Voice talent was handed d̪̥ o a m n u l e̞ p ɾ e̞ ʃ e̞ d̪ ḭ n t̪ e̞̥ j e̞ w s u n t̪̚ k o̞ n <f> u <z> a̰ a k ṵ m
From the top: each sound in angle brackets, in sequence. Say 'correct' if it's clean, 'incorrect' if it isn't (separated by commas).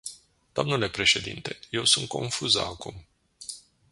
correct, correct